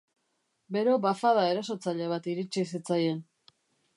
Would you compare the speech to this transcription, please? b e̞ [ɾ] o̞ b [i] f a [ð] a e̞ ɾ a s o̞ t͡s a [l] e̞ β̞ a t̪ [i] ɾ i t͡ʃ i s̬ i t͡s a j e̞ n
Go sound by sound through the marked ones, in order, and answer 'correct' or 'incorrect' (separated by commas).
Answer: correct, incorrect, correct, incorrect, correct